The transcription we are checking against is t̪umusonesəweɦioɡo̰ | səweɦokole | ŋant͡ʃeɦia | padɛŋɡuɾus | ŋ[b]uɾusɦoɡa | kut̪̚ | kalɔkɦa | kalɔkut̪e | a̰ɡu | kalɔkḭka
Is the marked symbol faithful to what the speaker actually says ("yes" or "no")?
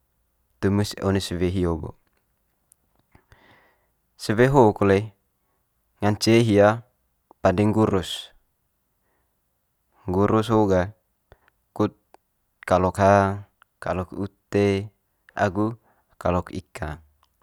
no